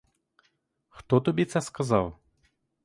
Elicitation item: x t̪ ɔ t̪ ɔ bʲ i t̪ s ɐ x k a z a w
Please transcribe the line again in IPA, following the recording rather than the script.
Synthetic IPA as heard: x t̪ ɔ t̪ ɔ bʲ i t̪ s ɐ s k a z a w